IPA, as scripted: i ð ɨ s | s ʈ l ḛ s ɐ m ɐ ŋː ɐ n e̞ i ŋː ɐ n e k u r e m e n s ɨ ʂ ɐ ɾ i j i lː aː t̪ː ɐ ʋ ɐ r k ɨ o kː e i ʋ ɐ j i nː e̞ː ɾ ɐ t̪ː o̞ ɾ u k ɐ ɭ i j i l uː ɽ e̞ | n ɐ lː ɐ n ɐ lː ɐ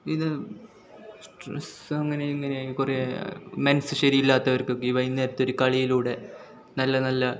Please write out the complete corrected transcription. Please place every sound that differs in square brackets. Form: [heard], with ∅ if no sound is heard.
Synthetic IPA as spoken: i ð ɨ [∅] | s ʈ [r] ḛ s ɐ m ɐ ŋː ɐ n e̞ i ŋː ɐ n e k u r e m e n s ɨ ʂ ɐ ɾ i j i lː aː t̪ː ɐ ʋ ɐ r k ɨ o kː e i ʋ ɐ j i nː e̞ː ɾ ɐ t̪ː o̞ ɾ u k ɐ ɭ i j i l uː ɽ e̞ | n ɐ lː ɐ n ɐ lː ɐ